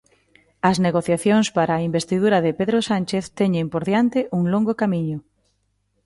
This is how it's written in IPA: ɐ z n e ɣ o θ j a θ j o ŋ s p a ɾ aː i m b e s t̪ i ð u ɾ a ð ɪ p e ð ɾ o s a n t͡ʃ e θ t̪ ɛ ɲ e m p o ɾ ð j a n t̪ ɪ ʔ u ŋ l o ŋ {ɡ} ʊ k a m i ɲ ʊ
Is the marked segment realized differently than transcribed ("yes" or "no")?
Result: no